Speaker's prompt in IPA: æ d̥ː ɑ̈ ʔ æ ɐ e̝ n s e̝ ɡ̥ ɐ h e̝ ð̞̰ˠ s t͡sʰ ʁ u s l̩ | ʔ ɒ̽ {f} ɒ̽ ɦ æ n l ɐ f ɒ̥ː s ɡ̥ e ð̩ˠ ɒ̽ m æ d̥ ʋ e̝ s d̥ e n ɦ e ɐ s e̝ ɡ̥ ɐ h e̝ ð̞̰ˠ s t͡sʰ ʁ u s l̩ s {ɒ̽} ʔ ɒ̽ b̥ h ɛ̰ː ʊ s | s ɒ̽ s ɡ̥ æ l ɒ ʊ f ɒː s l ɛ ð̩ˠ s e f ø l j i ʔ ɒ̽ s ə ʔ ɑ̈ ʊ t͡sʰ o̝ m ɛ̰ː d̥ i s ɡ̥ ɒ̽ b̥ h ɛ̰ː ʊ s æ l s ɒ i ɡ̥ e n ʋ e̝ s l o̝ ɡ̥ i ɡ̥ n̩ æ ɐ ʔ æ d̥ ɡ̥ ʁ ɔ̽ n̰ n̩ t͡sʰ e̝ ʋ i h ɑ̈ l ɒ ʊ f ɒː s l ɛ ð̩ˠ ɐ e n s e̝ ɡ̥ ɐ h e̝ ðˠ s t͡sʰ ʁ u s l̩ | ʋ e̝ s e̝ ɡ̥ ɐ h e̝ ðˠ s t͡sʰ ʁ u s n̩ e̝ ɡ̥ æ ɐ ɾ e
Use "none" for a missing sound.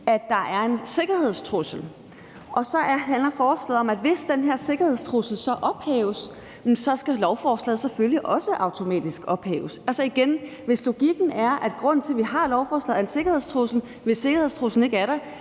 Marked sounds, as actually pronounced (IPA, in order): s, ɒ̽

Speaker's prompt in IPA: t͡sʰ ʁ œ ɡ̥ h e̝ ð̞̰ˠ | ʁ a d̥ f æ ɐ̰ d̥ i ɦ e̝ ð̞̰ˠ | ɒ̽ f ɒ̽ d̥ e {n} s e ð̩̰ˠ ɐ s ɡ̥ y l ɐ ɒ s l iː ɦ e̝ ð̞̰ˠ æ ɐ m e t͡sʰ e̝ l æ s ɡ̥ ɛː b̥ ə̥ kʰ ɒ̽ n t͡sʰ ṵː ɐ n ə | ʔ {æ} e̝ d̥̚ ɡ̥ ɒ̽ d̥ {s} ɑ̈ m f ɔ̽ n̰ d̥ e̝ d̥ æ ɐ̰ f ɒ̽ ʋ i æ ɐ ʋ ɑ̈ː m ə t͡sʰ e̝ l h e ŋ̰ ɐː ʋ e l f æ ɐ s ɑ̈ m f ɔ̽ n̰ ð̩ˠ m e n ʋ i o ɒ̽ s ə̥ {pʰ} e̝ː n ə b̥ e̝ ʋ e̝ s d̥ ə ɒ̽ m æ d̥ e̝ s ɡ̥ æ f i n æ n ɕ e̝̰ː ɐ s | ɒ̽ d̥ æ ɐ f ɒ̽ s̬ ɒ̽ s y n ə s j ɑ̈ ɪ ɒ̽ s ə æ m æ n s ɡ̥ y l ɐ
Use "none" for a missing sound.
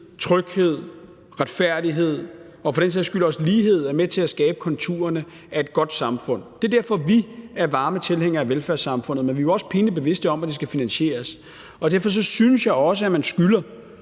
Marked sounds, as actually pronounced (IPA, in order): n, æ, s, pʰ

